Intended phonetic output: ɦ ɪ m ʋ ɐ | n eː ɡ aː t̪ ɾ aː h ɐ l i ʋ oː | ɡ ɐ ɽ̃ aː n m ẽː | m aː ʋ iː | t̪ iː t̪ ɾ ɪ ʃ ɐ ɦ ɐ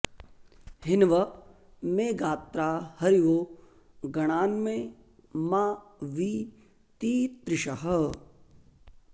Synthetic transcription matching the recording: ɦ ɪ n ʋ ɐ | m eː ɡ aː t̪ ɾ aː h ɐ ɾ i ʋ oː | ɡ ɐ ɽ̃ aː n m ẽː | m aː ʋ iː | t̪ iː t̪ ɾ ɪ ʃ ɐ ɦ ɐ

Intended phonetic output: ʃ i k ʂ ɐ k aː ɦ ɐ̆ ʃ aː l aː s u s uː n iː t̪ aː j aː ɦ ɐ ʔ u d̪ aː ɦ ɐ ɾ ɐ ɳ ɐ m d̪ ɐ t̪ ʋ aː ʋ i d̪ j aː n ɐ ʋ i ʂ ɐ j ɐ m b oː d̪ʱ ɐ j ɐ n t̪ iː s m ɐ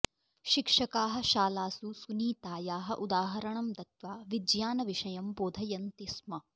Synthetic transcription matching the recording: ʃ i k ʂ ɐ k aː ɦ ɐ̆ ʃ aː l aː s u s u n iː t̪ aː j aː ɦ ɐ ʔ u d̪ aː ɦ ɐ ɾ ɐ ɳ ɐ m d̪ ɐ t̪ ʋ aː ʋ i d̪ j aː n ɐ ʋ i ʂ ɐ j ɐ m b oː d̪ʱ ɐ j ɐ n t̪ i s m ɐ

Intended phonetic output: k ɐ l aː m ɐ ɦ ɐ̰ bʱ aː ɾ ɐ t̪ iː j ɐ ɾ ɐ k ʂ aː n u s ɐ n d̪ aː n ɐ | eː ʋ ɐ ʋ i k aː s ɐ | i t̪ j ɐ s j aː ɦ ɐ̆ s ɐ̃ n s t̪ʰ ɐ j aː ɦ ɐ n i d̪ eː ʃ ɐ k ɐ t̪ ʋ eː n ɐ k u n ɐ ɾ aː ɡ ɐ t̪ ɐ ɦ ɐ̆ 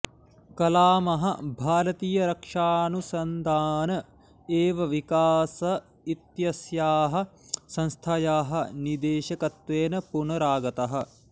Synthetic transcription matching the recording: k ɐ l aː m ɐ ɦ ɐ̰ bʱ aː ɾ ɐ t̪ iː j ɐ ɾ ɐ k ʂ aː n u s ɐ n d̪ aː n ɐ | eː ʋ ɐ ʋ i k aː s ɐ | i t̪ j ɐ s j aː ɦ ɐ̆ s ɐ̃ n s t̪ʰ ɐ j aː ɦ ɐ n i d̪ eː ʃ ɐ k ɐ t̪ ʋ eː n ɐ p u n ɐ ɾ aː ɡ ɐ t̪ ɐ ɦ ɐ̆

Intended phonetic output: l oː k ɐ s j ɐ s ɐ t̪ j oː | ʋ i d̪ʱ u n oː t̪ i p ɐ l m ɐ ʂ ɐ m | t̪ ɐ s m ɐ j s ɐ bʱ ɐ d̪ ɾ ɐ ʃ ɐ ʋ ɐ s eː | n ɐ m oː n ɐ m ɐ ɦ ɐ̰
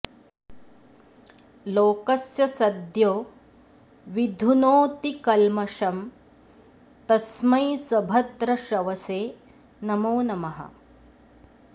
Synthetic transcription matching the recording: l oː k ɐ s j ɐ s ɐ d̪ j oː | ʋ i d̪ʱ u n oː t̪ i k ɐ l m ɐ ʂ ɐ m | t̪ ɐ s m ɐ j s ɐ bʱ ɐ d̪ ɾ ɐ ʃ ɐ ʋ ɐ s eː | n ɐ m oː n ɐ m ɐ ɦ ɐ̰

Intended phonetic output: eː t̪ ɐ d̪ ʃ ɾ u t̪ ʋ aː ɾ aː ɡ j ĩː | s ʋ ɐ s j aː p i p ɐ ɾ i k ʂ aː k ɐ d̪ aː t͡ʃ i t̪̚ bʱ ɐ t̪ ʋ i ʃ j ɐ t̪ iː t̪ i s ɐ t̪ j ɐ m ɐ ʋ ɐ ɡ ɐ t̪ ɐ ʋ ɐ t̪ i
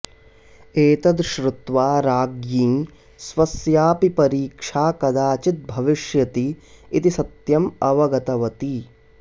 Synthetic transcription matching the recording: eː t̪ ɐ d̪ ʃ ɾ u t̪ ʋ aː ɾ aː ɡ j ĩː | s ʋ ɐ s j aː p i p ɐ ɾ iː k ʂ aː k ɐ d̪ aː t͡ʃ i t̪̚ bʱ ɐ ʋ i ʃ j ɐ t̪ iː t̪ i s ɐ t̪ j ɐ m ɐ ʋ ɐ ɡ ɐ t̪ ɐ ʋ ɐ t̪ i

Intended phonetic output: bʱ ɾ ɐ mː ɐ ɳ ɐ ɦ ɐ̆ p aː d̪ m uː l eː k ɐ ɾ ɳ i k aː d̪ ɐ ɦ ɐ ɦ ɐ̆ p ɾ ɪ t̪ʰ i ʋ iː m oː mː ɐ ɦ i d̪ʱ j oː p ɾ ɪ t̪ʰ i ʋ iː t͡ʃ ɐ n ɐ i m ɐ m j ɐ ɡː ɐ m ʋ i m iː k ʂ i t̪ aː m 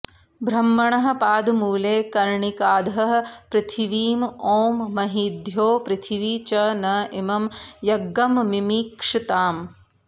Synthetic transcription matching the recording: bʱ ɾ ɐ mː ɐ ɳ ɐ ɦ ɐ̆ p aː d̪ m uː l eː k ɐ ɾ ɳ i k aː d̪ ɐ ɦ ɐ ɦ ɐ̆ p ɾ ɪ t̪ʰ i ʋ iː m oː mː ɐ ɦ i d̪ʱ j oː p ɾ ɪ t̪ʰ i ʋ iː t͡ʃ ɐ n ɐ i m ɐ m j ɐ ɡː ɐ m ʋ i m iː k ʂ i t̪ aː m

